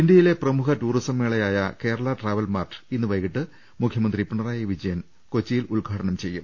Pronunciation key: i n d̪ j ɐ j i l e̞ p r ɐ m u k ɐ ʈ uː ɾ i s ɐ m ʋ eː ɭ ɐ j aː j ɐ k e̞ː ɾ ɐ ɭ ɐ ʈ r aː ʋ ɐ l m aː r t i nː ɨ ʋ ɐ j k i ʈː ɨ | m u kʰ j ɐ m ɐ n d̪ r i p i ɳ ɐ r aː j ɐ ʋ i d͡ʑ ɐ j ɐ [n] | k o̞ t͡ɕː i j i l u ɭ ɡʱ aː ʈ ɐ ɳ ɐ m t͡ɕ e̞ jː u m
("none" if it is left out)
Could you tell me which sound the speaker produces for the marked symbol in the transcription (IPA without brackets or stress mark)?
n